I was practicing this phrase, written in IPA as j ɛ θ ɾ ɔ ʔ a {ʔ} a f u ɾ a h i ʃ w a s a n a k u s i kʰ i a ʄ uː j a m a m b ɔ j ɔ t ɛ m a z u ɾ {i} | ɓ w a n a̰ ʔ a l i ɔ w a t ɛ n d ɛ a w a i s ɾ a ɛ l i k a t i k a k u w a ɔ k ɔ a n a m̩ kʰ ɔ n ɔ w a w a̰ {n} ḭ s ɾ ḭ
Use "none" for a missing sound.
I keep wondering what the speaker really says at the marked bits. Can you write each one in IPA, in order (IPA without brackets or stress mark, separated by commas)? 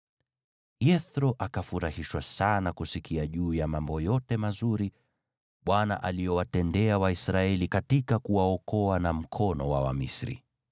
k, i, m